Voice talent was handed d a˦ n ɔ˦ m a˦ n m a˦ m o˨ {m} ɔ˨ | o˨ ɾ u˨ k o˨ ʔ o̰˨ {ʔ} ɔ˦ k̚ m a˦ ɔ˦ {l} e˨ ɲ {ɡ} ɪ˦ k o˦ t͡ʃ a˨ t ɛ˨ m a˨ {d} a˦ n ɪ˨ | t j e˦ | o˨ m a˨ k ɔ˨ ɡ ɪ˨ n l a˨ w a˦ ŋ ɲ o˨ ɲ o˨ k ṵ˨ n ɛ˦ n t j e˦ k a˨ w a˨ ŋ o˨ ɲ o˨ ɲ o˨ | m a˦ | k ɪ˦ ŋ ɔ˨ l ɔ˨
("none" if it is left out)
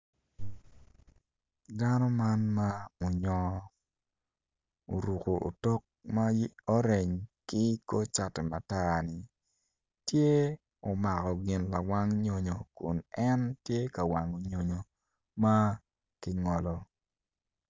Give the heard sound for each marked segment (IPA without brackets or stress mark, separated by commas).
ɲ, t, ɾ, k, t